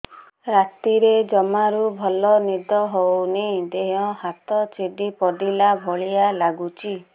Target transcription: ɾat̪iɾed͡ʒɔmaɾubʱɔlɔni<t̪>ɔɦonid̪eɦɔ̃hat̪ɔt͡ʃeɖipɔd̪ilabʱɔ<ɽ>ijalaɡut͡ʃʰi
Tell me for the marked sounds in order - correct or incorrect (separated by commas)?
incorrect, incorrect